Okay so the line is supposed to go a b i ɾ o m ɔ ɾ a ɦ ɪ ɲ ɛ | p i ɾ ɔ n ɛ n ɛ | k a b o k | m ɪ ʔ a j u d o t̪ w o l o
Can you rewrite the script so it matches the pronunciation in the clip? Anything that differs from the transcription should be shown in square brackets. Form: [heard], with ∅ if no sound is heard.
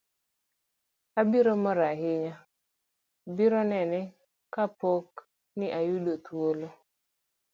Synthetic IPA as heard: a b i ɾ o m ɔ ɾ a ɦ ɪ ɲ [a] | [b] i ɾ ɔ n ɛ n ɛ | k a [p] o k | [n] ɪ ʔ a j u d o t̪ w o l o